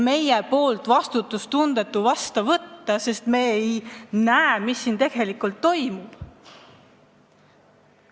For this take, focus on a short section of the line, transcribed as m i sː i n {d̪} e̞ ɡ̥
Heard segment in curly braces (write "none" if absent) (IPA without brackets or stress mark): t̪